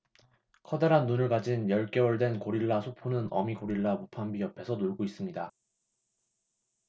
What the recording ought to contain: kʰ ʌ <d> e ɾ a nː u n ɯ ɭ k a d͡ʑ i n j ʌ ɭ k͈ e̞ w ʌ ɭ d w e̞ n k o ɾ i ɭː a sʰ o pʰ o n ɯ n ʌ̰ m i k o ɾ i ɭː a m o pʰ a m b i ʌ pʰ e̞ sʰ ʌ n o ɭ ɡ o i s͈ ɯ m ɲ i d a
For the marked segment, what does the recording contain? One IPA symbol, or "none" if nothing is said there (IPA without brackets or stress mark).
d